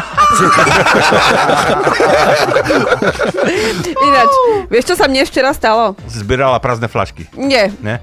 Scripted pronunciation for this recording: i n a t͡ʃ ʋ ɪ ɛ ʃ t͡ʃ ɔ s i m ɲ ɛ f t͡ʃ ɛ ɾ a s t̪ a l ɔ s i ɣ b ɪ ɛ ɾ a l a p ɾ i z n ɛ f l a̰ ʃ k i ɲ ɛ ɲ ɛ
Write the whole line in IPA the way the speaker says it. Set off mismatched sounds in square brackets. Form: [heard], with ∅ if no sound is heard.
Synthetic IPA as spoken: i n a t͡ʃ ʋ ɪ ɛ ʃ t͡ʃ ɔ s [a] m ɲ ɛ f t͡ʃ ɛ ɾ a s t̪ a l ɔ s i [z] b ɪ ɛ ɾ a l a p ɾ [a] z n ɛ f l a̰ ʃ k i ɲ ɛ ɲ ɛ